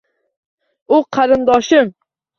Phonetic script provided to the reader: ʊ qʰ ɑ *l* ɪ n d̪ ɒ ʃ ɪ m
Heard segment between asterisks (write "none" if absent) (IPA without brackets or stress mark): ɾ